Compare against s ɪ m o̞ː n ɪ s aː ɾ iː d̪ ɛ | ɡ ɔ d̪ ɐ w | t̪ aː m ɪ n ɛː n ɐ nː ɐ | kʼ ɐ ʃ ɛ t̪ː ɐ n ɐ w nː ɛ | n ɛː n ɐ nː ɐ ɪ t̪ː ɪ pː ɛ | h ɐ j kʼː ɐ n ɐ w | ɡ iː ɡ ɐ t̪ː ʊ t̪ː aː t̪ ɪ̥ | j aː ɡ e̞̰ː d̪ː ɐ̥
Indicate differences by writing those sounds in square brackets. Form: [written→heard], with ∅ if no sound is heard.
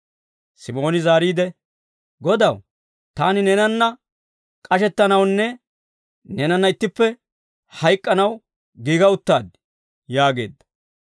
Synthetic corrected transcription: s ɪ m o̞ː n ɪ [s→z] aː ɾ iː d̪ ɛ | ɡ ɔ d̪ ɐ w | t̪ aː [m→n] ɪ n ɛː n ɐ nː ɐ | kʼ ɐ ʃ ɛ t̪ː ɐ n ɐ w nː ɛ | n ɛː n ɐ nː ɐ ɪ t̪ː ɪ pː ɛ | h ɐ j kʼː ɐ n ɐ w | ɡ iː ɡ ɐ [t̪ː→∅] ʊ t̪ː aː [t̪→d̪] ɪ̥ | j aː ɡ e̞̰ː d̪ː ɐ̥